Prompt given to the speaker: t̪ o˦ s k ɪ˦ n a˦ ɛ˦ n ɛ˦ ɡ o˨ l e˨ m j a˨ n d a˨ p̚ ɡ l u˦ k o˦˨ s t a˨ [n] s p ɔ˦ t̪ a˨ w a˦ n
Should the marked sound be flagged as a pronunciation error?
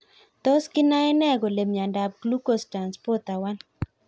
no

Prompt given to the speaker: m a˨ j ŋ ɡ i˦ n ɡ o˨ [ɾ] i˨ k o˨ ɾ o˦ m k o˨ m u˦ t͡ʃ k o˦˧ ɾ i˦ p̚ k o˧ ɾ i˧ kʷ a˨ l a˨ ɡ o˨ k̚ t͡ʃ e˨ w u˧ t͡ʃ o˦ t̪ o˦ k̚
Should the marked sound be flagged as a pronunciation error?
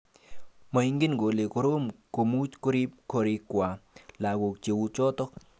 yes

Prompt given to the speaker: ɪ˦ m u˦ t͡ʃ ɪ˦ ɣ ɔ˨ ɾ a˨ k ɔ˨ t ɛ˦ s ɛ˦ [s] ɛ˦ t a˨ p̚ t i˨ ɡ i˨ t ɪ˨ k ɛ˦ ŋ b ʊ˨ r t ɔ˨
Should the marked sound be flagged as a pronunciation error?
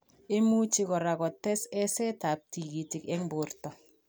no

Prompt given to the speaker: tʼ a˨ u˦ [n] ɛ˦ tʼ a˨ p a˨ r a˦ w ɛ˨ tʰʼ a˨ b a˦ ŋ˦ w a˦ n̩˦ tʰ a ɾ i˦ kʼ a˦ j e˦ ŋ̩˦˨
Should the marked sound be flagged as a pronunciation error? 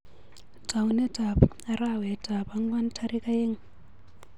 no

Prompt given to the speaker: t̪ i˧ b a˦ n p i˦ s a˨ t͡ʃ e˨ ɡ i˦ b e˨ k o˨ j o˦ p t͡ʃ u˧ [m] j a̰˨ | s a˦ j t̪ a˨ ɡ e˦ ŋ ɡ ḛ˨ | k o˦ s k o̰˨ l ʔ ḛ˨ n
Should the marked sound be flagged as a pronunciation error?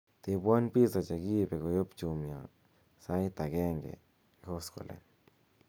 no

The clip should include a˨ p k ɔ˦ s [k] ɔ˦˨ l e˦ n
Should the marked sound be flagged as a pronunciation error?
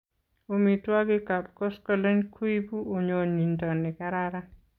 no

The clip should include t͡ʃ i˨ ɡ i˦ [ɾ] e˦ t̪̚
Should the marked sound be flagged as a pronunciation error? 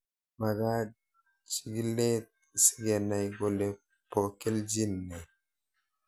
yes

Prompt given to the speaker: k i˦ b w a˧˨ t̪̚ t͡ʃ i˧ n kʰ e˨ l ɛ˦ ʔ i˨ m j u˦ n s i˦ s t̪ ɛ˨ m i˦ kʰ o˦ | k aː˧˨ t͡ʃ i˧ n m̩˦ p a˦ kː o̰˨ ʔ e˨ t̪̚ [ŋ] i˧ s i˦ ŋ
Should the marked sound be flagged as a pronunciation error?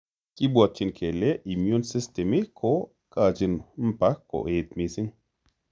yes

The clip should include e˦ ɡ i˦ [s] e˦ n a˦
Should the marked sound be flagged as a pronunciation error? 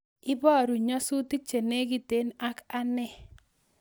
yes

